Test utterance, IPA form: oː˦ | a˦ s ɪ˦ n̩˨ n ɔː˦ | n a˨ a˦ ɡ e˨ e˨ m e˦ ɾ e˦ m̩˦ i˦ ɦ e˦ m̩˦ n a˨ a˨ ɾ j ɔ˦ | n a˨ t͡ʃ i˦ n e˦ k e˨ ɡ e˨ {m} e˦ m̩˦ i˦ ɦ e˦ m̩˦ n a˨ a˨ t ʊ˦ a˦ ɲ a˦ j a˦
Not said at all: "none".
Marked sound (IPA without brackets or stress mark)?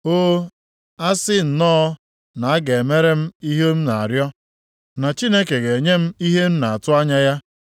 ɲ